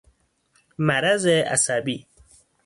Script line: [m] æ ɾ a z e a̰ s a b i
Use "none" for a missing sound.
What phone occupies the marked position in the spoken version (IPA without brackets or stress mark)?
m